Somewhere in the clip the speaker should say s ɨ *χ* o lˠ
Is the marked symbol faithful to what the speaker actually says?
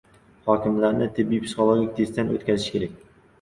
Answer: yes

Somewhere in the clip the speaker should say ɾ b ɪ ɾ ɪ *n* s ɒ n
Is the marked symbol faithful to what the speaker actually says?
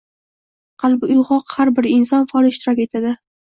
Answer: yes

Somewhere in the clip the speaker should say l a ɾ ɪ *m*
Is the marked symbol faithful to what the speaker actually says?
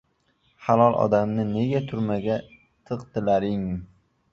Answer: no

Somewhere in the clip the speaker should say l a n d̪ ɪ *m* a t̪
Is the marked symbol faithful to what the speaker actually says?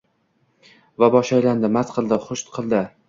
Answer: yes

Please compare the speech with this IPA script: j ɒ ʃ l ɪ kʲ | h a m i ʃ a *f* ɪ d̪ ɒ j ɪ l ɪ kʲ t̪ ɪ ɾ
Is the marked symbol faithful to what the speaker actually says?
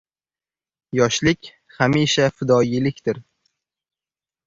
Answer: yes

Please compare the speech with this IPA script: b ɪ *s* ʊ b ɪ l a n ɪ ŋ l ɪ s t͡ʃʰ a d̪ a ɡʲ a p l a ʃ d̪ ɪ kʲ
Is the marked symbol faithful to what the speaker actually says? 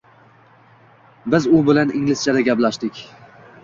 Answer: no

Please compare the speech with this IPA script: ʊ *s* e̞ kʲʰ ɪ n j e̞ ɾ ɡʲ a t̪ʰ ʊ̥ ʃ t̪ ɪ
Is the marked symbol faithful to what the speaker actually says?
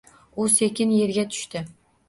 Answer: yes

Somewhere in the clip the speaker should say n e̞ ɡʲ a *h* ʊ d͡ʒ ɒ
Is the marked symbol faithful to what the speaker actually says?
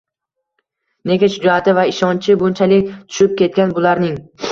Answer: no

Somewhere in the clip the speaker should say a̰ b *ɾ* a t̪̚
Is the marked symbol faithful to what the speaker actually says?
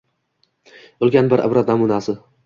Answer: yes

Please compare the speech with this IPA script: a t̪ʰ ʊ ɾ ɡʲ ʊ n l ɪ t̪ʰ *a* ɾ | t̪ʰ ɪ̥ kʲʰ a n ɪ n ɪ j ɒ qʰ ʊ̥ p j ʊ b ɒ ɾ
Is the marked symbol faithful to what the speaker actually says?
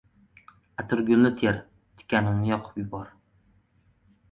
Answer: no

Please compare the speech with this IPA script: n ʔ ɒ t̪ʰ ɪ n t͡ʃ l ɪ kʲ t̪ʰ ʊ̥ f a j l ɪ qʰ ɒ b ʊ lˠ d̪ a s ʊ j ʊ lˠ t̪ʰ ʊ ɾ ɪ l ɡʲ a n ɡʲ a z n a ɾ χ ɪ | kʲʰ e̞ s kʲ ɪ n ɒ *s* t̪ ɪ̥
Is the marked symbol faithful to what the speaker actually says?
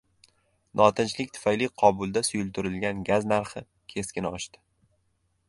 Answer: no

